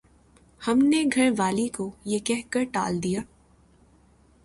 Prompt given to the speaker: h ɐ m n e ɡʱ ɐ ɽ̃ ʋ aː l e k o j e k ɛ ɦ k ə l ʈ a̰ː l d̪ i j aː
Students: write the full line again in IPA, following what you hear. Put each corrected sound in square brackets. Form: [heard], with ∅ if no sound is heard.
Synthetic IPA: h ɐ m n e ɡʱ ɐ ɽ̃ ʋ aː l [i] k o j e k ɛ ɦ k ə [ɾ] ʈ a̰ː l d̪ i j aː